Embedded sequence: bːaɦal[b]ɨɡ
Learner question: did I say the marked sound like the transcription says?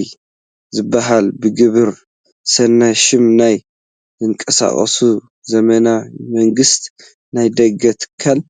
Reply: yes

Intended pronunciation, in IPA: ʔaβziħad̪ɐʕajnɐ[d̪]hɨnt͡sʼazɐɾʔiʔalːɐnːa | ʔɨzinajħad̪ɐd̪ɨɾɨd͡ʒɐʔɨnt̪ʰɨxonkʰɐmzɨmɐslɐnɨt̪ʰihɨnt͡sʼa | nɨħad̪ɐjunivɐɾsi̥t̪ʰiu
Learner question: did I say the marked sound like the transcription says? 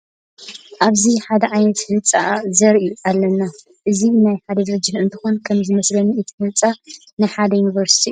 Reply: no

